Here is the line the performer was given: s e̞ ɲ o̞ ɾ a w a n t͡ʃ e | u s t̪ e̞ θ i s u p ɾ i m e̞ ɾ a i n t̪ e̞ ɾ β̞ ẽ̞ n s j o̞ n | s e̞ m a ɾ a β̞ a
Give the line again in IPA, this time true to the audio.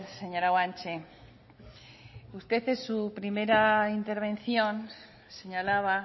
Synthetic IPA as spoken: s e̞ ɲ o̞ ɾ a w a n t͡ʃ e | u s t̪ e̞ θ e s u p ɾ i m e̞ ɾ a i n t̪ e̞ ɾ β̞ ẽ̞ n θ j o̞ n | s e̞ ɲ a l a β̞ a